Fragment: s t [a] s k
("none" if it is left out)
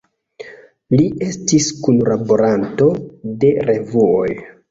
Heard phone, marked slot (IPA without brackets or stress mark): i